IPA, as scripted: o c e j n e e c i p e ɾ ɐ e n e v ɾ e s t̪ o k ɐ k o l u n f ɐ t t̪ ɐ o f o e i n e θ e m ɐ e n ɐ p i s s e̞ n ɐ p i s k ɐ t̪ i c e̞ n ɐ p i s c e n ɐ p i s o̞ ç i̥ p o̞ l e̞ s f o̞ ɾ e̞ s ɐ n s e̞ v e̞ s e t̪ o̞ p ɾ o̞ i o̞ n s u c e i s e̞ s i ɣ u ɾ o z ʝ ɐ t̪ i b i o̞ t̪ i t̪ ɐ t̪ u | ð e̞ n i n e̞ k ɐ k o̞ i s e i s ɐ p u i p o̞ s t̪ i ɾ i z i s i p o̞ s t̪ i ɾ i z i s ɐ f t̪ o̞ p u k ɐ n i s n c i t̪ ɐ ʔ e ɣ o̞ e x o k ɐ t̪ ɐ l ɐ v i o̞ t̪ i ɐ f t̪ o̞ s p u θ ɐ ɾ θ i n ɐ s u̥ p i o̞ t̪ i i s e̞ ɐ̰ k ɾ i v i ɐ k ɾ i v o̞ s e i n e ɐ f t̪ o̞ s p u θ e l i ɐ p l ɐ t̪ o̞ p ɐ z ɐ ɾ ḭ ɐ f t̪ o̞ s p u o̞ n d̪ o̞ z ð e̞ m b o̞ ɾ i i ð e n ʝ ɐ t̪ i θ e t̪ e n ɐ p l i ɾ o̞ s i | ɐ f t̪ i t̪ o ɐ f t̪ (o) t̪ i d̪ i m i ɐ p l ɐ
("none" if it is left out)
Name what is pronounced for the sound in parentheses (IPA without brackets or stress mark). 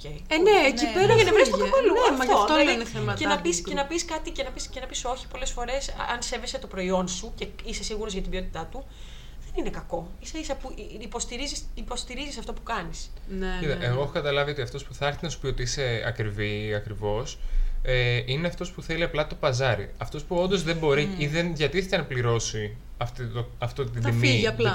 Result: o